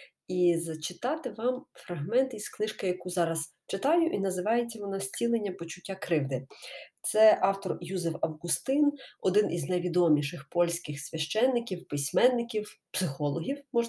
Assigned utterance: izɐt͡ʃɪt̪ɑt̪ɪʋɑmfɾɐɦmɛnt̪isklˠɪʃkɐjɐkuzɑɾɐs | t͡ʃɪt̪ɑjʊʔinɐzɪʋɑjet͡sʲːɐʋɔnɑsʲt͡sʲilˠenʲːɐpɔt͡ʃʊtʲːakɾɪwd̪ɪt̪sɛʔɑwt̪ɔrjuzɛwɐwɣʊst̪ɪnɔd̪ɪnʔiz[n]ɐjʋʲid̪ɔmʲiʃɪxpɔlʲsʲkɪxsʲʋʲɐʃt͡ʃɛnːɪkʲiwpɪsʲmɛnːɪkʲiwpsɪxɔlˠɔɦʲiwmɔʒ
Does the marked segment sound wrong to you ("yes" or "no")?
no